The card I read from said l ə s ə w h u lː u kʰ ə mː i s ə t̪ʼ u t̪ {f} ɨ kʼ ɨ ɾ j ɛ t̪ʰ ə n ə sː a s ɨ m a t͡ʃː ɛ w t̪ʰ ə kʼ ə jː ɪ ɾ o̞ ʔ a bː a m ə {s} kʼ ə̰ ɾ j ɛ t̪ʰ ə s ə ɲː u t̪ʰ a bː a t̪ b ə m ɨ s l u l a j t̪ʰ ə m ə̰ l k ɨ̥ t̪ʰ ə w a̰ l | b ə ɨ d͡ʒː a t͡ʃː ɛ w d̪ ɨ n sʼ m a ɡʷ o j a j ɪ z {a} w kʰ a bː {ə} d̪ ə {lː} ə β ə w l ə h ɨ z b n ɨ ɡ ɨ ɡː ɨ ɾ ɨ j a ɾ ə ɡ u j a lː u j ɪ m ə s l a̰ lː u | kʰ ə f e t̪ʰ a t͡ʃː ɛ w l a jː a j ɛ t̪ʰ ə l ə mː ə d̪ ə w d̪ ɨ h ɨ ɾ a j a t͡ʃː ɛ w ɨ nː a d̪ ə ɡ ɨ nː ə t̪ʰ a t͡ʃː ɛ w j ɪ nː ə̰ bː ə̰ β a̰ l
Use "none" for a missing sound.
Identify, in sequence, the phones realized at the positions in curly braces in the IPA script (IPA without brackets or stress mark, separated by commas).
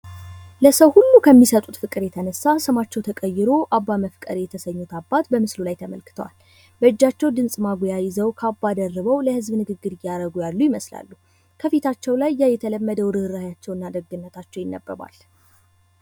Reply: f, f, ə, a, rː